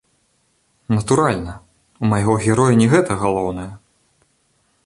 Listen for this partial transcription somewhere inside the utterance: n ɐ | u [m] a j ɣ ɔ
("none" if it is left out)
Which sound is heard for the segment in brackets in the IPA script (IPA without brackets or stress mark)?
m